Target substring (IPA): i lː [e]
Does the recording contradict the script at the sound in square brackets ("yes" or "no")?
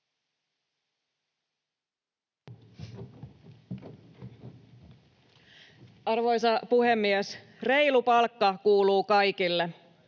no